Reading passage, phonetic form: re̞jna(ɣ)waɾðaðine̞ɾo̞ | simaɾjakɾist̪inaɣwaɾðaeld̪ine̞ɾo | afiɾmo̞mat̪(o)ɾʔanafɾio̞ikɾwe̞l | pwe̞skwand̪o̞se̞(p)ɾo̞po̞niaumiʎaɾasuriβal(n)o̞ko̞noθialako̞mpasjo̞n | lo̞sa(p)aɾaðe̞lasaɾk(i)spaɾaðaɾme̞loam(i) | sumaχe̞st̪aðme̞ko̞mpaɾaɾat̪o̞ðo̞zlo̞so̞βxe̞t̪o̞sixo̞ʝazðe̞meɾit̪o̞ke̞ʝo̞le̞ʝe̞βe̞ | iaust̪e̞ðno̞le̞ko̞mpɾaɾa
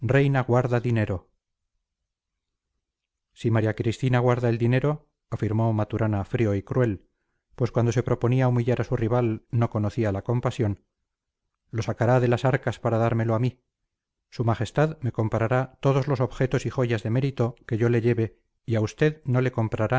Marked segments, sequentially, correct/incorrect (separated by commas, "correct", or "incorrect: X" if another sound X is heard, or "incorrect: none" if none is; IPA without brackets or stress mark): correct, incorrect: u, correct, correct, incorrect: k, incorrect: a, correct